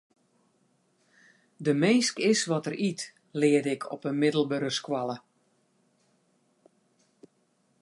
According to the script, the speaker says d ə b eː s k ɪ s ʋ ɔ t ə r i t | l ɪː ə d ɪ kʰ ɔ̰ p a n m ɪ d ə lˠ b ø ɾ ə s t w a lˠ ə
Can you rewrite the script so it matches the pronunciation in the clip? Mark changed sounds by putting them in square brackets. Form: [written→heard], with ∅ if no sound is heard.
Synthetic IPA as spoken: d ə [b→m] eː s k ɪ s ʋ ɔ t ə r i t | l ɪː ə d ɪ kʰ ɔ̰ p [a→ə] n m ɪ d ə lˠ b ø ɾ ə s [t→k] w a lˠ ə